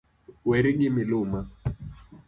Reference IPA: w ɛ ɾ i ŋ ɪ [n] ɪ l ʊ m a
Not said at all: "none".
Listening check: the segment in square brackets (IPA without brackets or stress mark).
m